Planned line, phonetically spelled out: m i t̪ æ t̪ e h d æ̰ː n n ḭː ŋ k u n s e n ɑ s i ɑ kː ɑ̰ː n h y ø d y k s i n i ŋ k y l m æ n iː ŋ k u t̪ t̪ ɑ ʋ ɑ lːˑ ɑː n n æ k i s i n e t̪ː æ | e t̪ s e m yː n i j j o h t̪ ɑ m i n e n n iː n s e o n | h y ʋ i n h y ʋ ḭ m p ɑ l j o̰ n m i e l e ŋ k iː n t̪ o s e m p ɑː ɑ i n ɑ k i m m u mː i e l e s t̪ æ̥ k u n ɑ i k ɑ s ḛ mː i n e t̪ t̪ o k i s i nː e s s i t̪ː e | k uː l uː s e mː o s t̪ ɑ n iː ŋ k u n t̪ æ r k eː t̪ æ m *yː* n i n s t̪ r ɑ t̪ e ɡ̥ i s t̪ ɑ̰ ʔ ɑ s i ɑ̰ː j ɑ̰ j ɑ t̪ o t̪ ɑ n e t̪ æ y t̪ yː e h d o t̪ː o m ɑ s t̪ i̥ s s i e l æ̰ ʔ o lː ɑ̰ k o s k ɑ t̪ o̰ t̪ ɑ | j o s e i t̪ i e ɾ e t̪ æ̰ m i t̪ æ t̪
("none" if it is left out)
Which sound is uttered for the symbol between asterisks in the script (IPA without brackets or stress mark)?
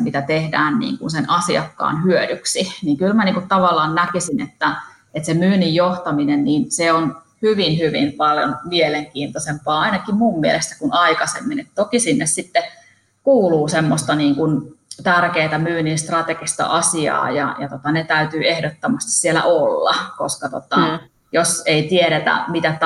yː